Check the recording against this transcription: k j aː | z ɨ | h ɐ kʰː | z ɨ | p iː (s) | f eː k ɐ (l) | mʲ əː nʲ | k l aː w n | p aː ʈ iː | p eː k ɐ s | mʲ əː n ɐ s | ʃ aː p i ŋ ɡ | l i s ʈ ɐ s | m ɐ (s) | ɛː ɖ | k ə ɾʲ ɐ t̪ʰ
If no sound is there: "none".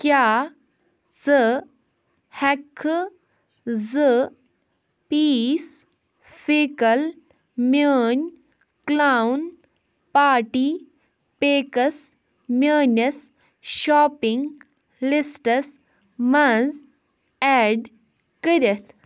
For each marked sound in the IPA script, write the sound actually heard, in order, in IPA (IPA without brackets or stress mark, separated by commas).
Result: s, l, z